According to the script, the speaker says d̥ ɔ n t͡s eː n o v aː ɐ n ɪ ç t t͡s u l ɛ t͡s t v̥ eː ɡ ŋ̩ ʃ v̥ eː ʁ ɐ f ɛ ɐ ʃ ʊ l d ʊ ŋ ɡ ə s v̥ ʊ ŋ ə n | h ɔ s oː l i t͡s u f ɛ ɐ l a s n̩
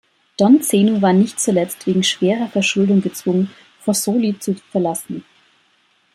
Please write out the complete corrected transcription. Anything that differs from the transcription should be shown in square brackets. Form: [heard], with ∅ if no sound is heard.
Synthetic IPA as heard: d̥ ɔ n t͡s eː n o v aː ɐ n ɪ ç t t͡s u l ɛ t͡s t v̥ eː ɡ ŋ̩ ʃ v̥ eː ʁ ɐ f ɛ ɐ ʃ ʊ l d ʊ ŋ ɡ ə [t͡s] v̥ ʊ ŋ ə n | [f] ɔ s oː l i t͡s u f ɛ ɐ l a s n̩